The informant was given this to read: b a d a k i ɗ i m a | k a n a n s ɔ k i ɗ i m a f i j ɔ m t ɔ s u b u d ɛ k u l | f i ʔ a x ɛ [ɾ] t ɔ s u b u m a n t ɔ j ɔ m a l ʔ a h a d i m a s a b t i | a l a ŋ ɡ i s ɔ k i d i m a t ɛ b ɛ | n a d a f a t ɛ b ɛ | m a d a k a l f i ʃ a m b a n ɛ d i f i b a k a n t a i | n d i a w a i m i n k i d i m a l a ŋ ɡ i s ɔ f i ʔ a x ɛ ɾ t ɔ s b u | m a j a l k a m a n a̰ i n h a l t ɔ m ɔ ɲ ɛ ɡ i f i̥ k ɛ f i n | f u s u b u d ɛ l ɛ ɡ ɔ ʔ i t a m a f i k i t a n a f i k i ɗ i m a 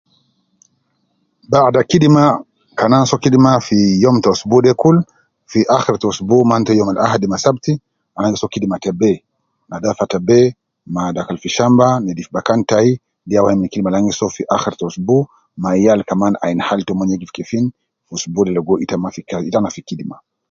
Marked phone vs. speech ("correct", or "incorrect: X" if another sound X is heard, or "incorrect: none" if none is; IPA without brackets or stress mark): correct